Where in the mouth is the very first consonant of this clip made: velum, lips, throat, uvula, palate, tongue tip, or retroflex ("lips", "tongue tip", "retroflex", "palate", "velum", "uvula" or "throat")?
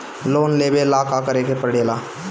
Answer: tongue tip